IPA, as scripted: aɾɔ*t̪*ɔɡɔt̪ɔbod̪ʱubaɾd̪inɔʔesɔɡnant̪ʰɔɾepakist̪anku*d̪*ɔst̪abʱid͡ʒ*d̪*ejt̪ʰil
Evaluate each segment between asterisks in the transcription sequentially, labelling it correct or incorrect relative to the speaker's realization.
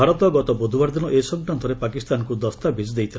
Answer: correct, correct, correct

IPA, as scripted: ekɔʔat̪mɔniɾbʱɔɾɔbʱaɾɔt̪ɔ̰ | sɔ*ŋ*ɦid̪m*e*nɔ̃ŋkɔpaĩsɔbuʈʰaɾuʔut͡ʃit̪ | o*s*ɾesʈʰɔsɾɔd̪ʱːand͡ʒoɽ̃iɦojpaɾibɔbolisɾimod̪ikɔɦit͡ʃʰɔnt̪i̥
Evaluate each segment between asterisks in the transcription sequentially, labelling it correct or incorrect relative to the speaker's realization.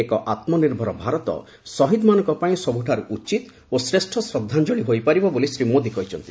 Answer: incorrect, incorrect, correct

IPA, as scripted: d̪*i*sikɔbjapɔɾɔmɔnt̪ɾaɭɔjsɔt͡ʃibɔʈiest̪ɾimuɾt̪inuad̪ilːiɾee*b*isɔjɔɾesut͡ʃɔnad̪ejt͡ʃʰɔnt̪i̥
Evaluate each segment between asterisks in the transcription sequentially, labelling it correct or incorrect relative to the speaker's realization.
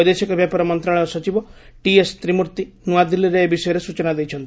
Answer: incorrect, correct

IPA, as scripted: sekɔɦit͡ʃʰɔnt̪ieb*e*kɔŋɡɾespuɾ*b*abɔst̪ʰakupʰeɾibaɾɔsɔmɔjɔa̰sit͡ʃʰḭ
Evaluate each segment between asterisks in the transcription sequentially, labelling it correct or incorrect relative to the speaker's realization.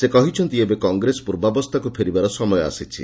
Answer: correct, correct

